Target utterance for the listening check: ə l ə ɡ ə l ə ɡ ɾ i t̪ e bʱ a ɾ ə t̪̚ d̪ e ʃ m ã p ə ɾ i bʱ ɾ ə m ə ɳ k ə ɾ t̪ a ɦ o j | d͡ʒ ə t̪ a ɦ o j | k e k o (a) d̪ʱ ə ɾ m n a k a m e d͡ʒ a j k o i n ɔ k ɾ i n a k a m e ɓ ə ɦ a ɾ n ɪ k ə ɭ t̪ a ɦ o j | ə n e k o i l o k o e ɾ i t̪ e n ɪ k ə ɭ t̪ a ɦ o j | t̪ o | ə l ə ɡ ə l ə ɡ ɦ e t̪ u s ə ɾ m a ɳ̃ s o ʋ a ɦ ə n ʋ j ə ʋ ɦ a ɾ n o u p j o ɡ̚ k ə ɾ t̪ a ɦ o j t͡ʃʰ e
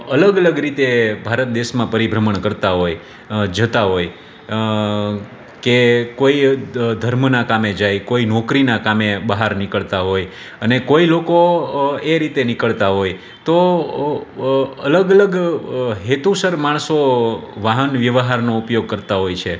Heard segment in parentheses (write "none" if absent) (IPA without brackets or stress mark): i